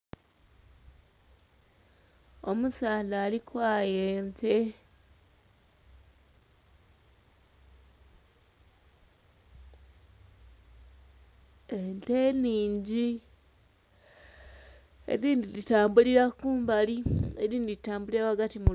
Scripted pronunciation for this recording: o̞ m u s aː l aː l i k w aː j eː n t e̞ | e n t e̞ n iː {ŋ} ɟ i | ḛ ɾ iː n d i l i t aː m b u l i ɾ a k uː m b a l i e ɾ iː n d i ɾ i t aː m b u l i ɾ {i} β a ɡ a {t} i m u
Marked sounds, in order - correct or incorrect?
incorrect, incorrect, correct

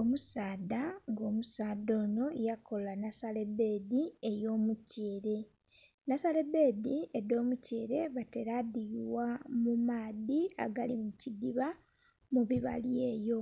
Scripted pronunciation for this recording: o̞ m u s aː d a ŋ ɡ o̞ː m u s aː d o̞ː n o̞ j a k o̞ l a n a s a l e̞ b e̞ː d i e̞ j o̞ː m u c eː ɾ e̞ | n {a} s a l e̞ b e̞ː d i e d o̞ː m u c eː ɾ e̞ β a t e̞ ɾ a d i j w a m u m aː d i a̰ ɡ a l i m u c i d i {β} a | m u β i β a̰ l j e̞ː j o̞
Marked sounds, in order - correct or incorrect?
correct, correct

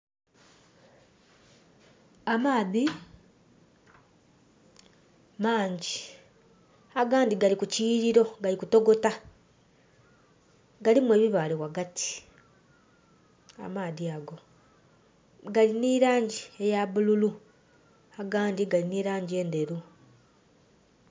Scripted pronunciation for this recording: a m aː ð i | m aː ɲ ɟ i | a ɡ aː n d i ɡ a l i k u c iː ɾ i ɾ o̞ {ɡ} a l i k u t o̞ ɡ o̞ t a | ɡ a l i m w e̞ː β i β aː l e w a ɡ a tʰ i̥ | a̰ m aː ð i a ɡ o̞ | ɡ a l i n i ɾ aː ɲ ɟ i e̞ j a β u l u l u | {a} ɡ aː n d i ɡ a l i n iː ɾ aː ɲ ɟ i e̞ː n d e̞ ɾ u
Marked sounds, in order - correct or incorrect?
correct, correct

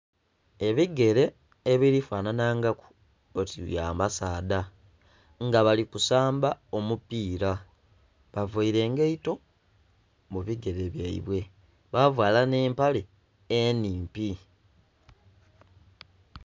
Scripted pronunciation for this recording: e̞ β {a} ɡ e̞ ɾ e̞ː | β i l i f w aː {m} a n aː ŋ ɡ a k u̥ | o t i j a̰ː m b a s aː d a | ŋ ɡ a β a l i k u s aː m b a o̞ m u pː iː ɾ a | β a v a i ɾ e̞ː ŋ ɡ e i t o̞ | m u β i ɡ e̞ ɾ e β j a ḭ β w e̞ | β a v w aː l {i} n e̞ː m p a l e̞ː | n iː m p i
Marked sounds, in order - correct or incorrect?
incorrect, incorrect, incorrect

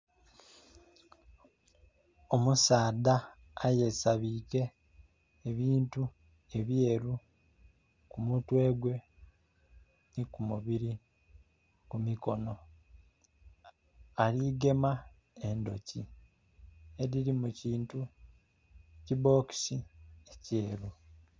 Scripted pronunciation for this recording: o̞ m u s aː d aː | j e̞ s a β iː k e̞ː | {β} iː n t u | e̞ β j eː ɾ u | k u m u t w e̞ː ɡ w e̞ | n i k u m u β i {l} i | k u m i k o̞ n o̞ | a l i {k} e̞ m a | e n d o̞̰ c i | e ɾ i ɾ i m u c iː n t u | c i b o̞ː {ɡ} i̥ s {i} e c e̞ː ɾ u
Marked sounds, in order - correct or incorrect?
correct, incorrect, incorrect, incorrect, correct

